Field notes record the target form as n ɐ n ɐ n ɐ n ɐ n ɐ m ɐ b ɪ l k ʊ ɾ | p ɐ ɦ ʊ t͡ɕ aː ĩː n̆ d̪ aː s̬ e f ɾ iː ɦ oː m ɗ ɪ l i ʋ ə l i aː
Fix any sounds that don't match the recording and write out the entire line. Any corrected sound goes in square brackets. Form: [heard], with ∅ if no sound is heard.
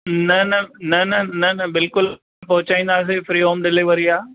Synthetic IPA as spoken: n ɐ n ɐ n ɐ n ɐ n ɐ [n] ɐ b ɪ l k ʊ [l] | p ɐ ɦ ʊ t͡ɕ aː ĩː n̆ d̪ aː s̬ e f ɾ iː ɦ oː m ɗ ɪ l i ʋ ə [ɾ] i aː